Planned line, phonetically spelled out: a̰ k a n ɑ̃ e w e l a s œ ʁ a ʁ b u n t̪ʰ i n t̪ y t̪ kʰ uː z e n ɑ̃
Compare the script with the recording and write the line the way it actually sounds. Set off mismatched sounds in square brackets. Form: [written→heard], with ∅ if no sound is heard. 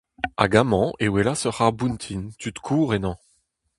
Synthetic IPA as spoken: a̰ [k→ɡ] a [n→m] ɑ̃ e w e l a s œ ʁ a ʁ b u n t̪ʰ i n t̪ y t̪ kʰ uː [z→ʁ] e n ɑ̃